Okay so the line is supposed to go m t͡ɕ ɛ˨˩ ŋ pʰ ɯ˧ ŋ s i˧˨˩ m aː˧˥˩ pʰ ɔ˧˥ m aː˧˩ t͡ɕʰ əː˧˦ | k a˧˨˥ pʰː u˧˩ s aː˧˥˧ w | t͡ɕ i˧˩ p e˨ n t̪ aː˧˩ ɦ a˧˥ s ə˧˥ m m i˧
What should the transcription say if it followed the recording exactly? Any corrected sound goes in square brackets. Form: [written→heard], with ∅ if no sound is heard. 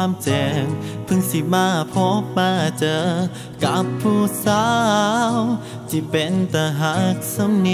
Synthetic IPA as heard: m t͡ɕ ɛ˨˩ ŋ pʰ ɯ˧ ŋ s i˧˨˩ m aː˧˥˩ pʰ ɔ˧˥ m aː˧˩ [t͡ɕʰ→t͡ɕ] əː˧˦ | k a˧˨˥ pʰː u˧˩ s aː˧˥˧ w | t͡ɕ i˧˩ p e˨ n t̪ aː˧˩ ɦ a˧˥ s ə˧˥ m [m→n] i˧